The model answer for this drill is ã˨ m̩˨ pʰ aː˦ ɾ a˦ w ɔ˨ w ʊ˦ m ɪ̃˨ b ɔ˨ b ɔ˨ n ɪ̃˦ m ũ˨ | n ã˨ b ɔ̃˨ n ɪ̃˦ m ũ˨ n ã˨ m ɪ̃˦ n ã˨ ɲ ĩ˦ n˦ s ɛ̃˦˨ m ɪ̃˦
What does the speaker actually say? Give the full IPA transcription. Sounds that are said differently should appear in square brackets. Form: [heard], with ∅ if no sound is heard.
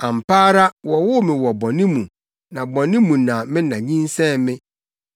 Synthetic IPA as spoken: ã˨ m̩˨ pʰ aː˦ ɾ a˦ w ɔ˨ w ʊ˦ m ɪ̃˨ [w] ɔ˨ b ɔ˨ n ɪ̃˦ m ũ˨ | n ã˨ b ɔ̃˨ n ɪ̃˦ m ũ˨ n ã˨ m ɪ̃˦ n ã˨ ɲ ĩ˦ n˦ s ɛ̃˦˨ m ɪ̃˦